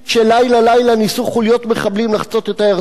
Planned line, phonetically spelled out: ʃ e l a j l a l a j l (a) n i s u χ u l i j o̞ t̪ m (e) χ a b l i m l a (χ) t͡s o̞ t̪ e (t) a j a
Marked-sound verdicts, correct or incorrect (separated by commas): correct, correct, correct, correct